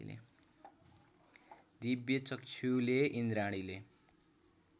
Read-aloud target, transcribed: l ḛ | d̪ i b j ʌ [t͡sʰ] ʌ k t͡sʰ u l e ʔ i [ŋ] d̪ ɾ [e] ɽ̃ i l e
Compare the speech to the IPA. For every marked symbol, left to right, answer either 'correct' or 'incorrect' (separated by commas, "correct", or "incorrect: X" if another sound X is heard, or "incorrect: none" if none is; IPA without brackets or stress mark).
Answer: incorrect: t͡s, incorrect: n, incorrect: a